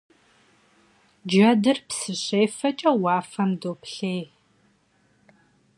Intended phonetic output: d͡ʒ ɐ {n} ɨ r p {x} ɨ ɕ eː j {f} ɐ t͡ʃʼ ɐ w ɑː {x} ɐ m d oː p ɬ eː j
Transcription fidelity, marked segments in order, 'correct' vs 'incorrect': incorrect: d, incorrect: s, correct, incorrect: f

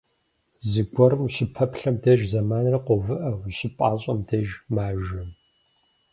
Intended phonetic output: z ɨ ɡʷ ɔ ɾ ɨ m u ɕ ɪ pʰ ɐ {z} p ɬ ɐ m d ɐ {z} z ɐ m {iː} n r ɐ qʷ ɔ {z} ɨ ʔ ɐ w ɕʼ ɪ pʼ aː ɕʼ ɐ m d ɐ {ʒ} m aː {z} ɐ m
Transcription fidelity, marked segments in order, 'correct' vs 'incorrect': incorrect: none, incorrect: ʒ, incorrect: aː, incorrect: v, correct, incorrect: ʒ

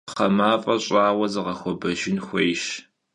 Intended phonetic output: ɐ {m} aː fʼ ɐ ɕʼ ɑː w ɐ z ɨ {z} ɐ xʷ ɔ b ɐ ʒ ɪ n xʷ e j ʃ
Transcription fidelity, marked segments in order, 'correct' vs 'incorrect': correct, incorrect: ʁ

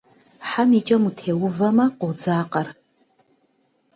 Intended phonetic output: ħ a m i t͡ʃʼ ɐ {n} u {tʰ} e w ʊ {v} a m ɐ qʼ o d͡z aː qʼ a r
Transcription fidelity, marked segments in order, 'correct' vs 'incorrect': incorrect: m, correct, correct

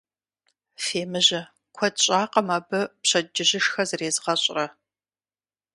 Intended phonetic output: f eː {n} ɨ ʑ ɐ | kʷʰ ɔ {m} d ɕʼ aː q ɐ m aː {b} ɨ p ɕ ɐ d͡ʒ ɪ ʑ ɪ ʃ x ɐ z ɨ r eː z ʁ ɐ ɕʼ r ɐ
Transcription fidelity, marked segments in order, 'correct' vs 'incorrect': incorrect: m, incorrect: none, correct

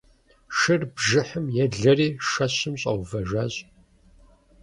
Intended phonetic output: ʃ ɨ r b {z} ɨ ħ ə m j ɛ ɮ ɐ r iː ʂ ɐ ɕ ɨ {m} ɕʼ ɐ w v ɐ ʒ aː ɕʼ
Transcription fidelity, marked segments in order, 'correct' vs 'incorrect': incorrect: ʒ, correct

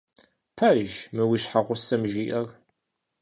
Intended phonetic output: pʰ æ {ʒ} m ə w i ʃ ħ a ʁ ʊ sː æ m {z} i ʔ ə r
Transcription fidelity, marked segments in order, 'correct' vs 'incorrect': correct, incorrect: ʒ

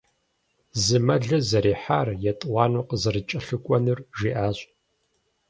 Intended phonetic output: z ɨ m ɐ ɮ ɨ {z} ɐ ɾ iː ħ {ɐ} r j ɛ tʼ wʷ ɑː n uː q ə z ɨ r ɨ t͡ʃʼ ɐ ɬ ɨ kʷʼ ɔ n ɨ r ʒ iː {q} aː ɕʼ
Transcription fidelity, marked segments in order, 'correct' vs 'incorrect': correct, incorrect: a, incorrect: ʔ

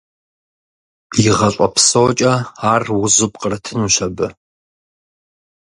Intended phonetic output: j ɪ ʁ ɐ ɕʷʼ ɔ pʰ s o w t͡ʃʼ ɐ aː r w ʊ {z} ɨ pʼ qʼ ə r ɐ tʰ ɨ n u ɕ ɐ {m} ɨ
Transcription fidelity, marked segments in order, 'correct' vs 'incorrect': correct, incorrect: b

